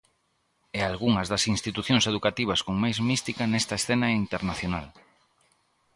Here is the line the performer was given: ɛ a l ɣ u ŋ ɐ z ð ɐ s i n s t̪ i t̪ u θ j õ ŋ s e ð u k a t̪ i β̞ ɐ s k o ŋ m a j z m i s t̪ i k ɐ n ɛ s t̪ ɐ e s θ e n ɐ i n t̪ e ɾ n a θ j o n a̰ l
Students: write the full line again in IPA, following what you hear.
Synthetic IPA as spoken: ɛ a l ɣ u ŋ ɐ z ð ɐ s i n s t̪ i t̪ u θ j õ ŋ s e ð u k a t̪ i β̞ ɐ s k o ŋ m a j z m i s t̪ i k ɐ n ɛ s t̪ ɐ e s θ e n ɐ i n t̪ e ɾ n a θ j o n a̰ l